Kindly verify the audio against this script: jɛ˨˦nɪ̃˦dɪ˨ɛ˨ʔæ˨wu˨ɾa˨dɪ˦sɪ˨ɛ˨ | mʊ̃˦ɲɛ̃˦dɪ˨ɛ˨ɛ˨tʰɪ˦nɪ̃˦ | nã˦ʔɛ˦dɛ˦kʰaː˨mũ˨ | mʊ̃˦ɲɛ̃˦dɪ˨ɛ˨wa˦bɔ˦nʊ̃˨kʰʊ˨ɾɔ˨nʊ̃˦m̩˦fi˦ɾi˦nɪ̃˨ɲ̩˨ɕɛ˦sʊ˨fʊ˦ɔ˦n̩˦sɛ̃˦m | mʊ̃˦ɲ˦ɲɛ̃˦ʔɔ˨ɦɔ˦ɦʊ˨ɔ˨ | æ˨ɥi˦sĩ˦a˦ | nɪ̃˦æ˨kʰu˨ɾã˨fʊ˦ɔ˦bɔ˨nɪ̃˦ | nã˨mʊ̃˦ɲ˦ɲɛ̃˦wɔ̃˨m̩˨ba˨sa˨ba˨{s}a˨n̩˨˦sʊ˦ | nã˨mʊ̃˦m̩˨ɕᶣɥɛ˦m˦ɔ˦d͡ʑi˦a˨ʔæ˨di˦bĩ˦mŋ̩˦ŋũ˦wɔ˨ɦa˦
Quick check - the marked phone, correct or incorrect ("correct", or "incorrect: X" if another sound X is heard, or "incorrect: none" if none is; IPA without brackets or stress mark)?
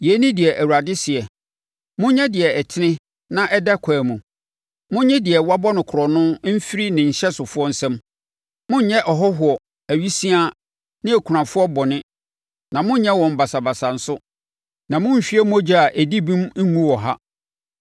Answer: correct